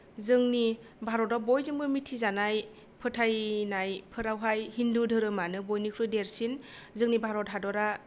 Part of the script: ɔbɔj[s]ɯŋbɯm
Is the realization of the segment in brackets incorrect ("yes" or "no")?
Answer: yes